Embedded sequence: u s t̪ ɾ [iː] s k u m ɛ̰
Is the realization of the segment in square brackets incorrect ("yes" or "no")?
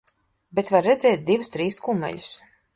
no